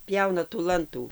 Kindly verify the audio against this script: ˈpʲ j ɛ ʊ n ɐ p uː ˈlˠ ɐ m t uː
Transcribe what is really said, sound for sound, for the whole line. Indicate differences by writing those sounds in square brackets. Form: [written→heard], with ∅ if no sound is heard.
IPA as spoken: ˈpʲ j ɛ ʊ n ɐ [p→t] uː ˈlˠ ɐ [m→n] t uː